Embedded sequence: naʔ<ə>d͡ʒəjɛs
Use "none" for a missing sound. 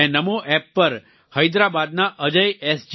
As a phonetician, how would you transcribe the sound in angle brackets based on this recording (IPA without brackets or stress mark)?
ə